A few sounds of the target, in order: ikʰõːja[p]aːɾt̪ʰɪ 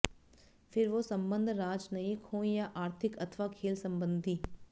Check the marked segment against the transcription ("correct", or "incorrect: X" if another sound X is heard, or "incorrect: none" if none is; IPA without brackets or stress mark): incorrect: ʔ